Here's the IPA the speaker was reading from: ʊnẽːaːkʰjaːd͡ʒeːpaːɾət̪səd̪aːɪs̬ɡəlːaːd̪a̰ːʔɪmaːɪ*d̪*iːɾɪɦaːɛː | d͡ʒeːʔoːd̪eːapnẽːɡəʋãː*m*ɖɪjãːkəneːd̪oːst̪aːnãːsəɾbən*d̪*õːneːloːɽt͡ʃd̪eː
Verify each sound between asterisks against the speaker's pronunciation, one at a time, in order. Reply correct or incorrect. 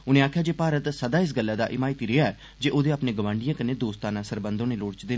incorrect, incorrect, correct

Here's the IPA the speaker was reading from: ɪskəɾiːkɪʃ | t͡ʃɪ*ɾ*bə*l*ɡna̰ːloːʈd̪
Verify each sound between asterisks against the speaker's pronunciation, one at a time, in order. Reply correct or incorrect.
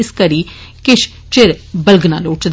correct, correct

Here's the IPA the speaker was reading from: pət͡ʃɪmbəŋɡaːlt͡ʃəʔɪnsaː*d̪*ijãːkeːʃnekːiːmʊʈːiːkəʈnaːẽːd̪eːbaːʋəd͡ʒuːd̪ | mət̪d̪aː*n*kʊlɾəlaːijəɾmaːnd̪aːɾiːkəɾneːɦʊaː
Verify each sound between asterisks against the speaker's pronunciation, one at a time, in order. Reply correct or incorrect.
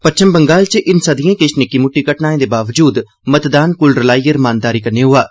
correct, correct

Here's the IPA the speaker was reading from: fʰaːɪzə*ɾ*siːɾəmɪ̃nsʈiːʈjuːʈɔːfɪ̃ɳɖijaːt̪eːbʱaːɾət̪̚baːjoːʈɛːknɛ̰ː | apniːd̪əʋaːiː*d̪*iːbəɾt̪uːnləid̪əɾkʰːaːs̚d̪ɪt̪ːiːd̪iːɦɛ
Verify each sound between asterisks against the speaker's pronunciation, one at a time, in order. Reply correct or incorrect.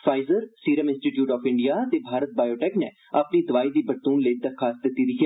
correct, correct

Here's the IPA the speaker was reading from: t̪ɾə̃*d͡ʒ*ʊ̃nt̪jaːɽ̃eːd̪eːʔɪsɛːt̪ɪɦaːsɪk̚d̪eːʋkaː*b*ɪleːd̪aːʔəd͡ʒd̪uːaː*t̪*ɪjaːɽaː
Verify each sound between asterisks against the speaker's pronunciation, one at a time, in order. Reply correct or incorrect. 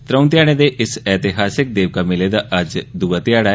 incorrect, incorrect, correct

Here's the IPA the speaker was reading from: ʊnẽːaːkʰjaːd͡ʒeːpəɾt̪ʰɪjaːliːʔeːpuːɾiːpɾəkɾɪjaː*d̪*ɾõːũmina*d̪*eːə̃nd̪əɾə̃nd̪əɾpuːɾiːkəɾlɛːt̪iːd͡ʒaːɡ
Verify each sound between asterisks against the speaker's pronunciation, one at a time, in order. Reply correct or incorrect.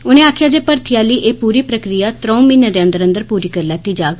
incorrect, correct

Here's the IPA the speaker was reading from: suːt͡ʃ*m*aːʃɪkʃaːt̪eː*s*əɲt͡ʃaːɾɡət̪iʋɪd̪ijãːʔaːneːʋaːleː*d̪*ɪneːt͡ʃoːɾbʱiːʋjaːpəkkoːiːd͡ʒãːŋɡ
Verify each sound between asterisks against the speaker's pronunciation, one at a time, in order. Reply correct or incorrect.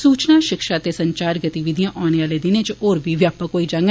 incorrect, correct, correct

